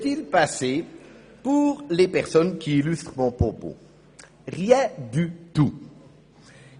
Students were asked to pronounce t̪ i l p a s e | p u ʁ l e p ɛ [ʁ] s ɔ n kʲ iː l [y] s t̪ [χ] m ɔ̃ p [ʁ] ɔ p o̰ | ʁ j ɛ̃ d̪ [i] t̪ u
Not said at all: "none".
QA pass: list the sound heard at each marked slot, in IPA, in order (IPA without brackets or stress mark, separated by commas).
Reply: ʁ, y, χ, χ, y